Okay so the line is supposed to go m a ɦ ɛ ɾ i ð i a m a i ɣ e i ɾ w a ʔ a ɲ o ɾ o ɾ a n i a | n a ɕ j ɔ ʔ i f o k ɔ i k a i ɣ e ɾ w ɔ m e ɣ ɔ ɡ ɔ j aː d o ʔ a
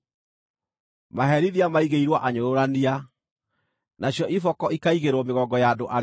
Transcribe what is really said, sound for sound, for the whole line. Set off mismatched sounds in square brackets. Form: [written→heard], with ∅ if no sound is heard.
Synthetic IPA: m a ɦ ɛ ɾ i ð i a m a i ɣ e i ɾ w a ʔ a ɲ o ɾ o ɾ a n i a | n a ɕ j ɔ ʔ i f [o→ɔ] k ɔ i k a i ɣ e ɾ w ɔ m e ɣ ɔ ɡ ɔ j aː d o ʔ a